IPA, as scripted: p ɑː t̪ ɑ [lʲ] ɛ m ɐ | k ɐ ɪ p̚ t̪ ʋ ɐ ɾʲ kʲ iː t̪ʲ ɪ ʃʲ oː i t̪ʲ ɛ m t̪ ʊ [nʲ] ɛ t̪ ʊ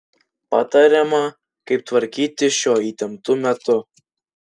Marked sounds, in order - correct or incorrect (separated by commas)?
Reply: incorrect, incorrect